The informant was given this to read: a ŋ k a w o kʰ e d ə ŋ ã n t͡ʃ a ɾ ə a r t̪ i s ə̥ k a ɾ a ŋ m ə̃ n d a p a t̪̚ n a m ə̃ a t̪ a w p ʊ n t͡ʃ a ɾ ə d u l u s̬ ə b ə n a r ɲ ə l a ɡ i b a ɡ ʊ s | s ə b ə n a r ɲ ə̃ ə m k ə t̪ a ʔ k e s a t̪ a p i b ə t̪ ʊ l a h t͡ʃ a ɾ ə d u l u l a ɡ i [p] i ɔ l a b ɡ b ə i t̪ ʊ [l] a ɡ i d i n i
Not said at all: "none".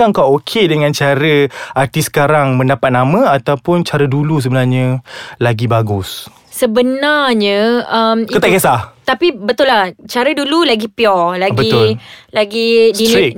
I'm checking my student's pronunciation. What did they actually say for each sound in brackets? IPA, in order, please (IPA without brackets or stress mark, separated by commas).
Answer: p, l